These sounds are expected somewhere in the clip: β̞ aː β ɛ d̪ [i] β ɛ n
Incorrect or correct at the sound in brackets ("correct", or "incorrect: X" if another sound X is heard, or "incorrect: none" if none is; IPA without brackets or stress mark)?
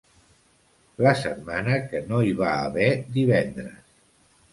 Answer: correct